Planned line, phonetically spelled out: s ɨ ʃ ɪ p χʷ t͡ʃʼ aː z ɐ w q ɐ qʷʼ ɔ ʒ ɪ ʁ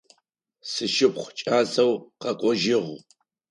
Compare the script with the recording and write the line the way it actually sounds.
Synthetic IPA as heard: s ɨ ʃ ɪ p χʷ t͡ʃʼ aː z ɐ w q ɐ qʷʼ ɔ ʒ ɪ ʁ